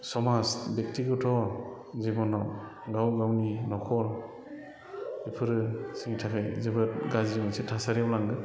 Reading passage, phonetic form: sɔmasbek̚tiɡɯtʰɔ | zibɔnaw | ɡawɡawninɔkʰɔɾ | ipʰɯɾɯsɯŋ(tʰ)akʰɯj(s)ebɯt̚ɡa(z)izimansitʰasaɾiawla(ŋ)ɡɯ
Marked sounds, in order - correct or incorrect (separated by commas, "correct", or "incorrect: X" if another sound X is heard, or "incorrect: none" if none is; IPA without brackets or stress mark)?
correct, incorrect: z, correct, correct